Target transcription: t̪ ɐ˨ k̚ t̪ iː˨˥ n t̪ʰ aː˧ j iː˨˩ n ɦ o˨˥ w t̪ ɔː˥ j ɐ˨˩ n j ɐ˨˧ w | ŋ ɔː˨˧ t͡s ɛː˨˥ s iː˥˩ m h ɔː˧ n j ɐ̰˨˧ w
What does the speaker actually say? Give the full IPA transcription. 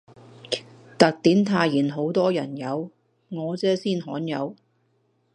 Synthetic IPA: t̪ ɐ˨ k̚ t̪ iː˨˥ n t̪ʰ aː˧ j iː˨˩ n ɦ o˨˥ w t̪ ɔː˥ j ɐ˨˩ n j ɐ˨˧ w | ŋ ɔː˨˧ t͡s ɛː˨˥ s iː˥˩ n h ɔː˨˥ n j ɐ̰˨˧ w

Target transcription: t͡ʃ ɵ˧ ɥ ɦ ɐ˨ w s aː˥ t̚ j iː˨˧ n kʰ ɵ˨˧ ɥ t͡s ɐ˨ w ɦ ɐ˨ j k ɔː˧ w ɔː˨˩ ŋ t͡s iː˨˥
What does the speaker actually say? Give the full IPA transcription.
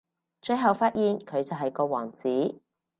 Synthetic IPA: t͡ʃ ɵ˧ ɥ ɦ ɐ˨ w f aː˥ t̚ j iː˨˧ n kʰ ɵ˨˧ ɥ t͡s ɐ˨ w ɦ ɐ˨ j k ɔː˧ w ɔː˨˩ ŋ t͡s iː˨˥

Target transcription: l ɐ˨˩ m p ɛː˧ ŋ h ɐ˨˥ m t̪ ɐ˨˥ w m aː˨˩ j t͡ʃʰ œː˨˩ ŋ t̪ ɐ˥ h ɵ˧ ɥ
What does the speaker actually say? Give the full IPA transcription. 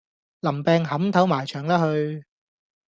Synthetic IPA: l ɐ˨˩ m p ɛː˧ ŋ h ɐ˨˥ m t̪ʰ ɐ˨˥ w m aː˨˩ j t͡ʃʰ œː˨˩ ŋ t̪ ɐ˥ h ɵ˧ ɥ

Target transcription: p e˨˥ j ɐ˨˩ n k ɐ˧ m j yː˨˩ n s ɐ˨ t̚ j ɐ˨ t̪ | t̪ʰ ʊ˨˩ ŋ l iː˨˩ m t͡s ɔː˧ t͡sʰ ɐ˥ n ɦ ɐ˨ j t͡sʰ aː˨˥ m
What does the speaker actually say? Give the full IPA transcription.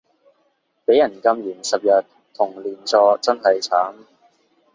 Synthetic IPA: p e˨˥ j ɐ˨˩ n k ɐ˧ m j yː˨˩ n s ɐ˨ p̚ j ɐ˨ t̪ | t̪ʰ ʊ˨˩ ŋ l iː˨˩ n t͡s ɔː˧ t͡s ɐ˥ n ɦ ɐ˨ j t͡sʰ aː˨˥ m

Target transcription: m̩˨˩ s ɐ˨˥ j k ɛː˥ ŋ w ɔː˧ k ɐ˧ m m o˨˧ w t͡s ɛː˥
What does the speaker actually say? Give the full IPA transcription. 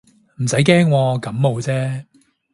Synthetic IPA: m̩˨˩ s ɐ˨˥ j k ɛː˥ ŋ w ɔː˧ k ɐ˨˥ m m o˨˧ w t͡s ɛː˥

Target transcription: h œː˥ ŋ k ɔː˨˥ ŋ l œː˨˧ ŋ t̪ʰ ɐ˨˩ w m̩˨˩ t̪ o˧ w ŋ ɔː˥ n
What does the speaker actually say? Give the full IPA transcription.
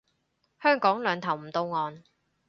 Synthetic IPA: h œː˥ ŋ k ɔː˨˥ ŋ l œː˨˧ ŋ t̪ʰ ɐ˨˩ w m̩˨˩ t̪ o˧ w ŋ ɔː˨˧ n

